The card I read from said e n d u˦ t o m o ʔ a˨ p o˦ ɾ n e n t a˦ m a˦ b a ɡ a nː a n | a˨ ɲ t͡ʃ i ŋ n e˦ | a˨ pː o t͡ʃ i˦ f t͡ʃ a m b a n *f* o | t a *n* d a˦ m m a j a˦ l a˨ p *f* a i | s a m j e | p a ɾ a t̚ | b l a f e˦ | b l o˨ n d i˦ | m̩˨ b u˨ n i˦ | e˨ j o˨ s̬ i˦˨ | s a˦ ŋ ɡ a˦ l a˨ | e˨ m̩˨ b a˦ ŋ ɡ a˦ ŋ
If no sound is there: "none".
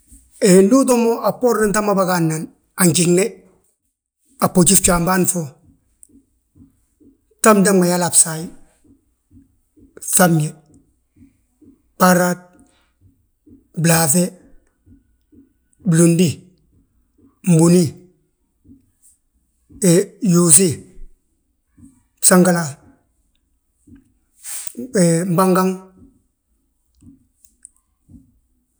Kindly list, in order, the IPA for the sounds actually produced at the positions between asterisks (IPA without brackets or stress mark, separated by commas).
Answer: f, m, s